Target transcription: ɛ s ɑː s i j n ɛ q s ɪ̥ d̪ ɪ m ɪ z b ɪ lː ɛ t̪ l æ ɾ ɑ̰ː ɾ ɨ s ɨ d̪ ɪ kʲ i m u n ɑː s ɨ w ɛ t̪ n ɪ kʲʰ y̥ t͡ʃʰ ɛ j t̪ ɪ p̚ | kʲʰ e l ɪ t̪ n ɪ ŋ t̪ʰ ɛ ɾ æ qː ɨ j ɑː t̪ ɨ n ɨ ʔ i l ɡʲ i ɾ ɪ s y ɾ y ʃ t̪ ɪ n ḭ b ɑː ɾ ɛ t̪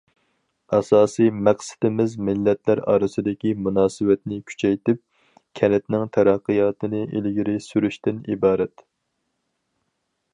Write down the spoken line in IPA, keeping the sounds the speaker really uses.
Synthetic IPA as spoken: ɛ s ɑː s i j m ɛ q s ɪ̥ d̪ ɪ m ɪ z m ɪ lː ɛ t̪ l æ ɾ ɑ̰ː ɾ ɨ s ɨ d̪ ɪ kʲ i m u n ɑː s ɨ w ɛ t̪ n ɪ kʲʰ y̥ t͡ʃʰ ɛ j t̪ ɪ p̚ | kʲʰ ɛ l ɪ t̪ n ɪ ŋ t̪ʰ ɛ ɾ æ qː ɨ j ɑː t̪ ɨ n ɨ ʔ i l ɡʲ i ɾ ɪ s y ɾ y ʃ t̪ ɪ n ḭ b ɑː ɾ ɛ t̪